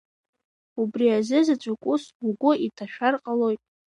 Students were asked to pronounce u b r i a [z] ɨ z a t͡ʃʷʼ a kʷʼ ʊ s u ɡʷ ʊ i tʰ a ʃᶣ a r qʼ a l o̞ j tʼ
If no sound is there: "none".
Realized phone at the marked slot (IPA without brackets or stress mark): z